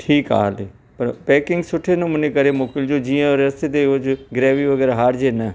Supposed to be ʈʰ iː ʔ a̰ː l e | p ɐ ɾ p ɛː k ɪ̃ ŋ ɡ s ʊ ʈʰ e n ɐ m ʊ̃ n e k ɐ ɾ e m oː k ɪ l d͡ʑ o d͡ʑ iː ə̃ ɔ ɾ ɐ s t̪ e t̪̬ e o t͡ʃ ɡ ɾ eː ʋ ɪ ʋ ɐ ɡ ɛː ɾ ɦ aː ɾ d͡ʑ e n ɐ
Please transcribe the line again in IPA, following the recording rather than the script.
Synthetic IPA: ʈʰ iː k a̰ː l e | p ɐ ɾ p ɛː k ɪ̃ ŋ ɡ s ʊ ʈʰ e n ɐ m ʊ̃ n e k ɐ ɾ e m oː k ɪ l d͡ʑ o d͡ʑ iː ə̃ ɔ ɾ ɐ s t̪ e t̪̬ e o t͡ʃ ɡ ɾ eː ʋ i ʋ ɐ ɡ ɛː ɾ ɦ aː ɾ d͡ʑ e n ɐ